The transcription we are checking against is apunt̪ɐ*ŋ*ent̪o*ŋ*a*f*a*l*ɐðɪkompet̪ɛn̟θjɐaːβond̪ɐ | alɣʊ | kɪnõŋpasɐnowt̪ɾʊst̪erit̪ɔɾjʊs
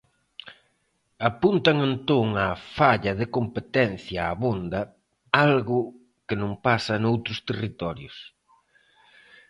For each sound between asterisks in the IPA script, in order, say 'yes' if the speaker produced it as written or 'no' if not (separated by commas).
yes, yes, yes, no